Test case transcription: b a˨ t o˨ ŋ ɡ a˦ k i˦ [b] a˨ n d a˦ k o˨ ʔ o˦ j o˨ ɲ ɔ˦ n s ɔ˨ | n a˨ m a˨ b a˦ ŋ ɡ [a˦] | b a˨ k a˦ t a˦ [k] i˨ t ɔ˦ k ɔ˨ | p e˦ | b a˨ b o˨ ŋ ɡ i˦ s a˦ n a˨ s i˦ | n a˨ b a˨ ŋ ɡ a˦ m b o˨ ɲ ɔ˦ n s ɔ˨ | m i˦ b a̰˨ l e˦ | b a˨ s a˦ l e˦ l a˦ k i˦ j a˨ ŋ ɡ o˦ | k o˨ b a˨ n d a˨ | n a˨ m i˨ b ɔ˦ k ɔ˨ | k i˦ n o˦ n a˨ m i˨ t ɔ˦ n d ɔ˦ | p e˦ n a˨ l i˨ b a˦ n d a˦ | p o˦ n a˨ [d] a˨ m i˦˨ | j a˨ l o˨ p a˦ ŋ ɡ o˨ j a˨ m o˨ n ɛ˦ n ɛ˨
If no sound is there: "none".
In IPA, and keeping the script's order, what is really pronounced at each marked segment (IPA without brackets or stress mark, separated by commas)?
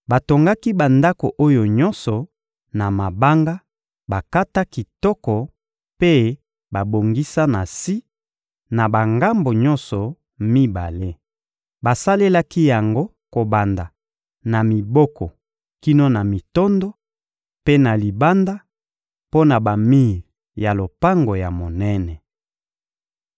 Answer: b, a˦, k, b